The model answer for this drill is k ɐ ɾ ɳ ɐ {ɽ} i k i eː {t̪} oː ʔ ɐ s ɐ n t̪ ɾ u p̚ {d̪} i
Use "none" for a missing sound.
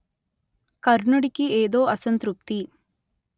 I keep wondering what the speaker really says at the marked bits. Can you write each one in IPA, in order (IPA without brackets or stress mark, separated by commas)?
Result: ɽ, d̪, t̪